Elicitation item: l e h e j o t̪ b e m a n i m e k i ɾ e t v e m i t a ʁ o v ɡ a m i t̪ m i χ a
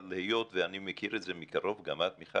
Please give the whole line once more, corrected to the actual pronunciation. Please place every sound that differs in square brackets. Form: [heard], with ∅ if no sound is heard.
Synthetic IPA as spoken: l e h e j o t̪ [v] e [∅] a n i m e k i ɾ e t [z] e m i [k] a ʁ o v ɡ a m [a] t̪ m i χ a